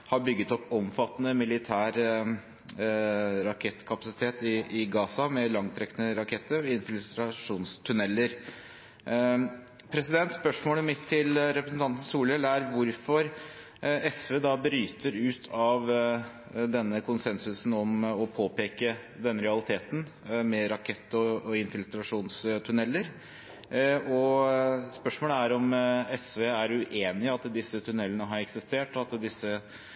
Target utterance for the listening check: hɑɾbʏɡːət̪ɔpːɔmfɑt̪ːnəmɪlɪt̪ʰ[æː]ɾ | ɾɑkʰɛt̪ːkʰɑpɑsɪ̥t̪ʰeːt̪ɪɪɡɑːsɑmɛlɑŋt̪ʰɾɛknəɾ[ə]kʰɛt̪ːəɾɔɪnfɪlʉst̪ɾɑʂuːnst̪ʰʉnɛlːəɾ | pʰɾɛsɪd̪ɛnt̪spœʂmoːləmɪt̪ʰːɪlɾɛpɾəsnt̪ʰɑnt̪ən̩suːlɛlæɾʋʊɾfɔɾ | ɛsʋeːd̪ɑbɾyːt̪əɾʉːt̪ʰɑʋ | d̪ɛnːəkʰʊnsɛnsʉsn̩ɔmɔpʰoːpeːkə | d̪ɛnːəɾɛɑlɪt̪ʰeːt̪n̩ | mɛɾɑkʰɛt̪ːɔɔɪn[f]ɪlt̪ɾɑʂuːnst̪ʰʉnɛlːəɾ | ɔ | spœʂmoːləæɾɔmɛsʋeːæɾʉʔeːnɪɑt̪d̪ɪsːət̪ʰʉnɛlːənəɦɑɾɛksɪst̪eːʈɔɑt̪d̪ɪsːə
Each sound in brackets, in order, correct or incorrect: correct, incorrect, correct

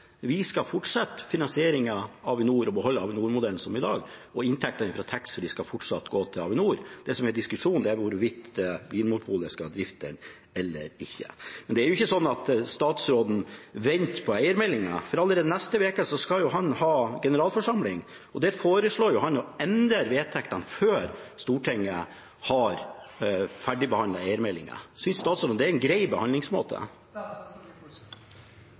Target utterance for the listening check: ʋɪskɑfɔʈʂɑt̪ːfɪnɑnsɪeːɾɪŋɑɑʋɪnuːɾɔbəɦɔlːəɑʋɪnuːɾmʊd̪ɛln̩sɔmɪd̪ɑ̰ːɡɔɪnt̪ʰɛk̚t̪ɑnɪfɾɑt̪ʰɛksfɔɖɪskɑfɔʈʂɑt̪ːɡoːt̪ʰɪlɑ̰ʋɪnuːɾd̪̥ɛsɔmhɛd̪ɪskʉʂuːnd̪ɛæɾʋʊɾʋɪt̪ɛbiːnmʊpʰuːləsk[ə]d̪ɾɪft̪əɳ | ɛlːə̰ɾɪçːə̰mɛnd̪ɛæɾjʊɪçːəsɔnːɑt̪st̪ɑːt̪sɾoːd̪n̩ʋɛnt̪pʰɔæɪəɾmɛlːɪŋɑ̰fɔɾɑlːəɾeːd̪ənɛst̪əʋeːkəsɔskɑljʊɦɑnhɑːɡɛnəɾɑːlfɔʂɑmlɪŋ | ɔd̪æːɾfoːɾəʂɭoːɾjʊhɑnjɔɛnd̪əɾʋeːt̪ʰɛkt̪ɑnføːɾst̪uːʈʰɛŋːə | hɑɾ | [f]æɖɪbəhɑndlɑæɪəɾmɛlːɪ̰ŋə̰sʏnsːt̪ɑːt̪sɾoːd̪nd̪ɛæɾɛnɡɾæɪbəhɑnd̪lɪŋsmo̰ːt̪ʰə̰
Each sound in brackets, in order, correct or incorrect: incorrect, correct

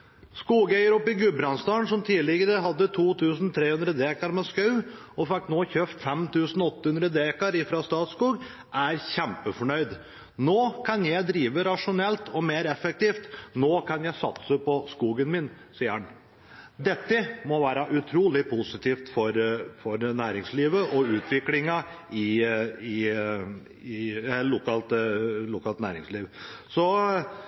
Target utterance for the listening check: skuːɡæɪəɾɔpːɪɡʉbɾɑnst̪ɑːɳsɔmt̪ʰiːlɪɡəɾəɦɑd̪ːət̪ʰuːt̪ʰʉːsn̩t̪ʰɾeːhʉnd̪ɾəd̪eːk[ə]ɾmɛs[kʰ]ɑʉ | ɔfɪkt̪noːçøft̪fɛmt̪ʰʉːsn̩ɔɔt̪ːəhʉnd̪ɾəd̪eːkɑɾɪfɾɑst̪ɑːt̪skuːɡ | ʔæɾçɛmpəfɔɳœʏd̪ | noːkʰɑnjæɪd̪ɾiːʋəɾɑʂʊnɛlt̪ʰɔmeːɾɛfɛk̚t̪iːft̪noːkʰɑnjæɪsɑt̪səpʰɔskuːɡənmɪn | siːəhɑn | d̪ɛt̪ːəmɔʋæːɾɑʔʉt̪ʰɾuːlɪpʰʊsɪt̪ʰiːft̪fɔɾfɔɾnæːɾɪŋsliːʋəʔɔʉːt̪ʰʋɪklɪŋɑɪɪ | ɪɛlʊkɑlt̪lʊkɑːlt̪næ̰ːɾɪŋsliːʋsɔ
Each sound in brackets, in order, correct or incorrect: incorrect, incorrect

